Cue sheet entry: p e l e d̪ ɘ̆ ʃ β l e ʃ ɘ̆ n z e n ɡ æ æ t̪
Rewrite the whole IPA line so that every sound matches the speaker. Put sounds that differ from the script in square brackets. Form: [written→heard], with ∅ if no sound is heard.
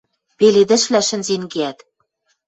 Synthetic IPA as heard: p e l e d̪ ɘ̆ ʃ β l [e→æ] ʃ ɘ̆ n z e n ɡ [æ→e] æ t̪

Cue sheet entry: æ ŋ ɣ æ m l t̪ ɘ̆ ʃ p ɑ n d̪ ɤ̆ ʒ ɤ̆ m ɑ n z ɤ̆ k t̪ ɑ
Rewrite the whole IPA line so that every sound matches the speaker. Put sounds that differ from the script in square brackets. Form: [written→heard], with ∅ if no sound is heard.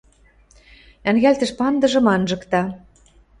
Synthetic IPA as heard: æ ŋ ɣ æ [m→∅] l t̪ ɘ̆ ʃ p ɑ n d̪ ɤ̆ ʒ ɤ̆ m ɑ n [z→ʒ] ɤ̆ k t̪ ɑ

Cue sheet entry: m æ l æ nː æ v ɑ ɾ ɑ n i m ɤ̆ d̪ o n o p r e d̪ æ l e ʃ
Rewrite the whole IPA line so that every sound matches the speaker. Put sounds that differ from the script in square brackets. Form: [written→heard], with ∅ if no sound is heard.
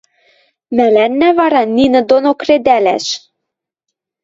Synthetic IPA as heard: m æ l æ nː æ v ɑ ɾ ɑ n i [m→n] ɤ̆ d̪ o n o [p→k] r e d̪ æ l [e→æ] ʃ

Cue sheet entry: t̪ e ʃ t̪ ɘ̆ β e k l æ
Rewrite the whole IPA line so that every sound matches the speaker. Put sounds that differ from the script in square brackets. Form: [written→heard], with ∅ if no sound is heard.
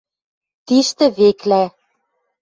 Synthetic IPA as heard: t̪ [e→i] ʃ t̪ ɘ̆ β e k l æ

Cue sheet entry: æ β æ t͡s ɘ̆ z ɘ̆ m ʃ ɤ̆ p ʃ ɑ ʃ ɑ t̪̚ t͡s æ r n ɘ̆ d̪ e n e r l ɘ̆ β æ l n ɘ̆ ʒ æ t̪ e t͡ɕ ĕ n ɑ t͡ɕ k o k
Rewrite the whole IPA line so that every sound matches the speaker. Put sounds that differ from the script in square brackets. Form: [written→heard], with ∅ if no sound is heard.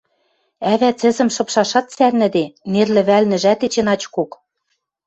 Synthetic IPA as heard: æ β æ t͡s ɘ̆ z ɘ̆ m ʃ ɤ̆ p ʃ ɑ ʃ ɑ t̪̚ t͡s æ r n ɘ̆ d̪ e n e r l ɘ̆ β æ l n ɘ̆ ʒ æ t̪ e t͡ɕ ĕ n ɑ t͡ɕ k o k

